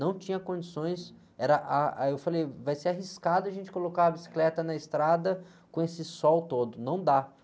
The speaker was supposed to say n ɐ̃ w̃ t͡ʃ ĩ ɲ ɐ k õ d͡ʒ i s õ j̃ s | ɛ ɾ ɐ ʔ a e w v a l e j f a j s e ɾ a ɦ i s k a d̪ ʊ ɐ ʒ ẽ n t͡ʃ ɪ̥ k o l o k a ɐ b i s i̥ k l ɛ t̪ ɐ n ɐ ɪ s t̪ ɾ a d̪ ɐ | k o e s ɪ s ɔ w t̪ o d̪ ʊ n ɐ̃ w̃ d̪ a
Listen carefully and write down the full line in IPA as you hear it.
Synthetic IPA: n ɐ̃ w̃ t͡ʃ ĩ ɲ ɐ k õ d͡ʒ i s õ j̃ s | ɛ ɾ ɐ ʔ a e w f a l e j v a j s e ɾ a ɦ i s k a d̪ ʊ ɐ ʒ ẽ n t͡ʃ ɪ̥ k o l o k a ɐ b i s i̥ k l ɛ t̪ ɐ n ɐ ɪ s t̪ ɾ a d̪ ɐ | k õ e s ɪ s ɔ w t̪ o d̪ ʊ n ɐ̃ w̃ d̪ a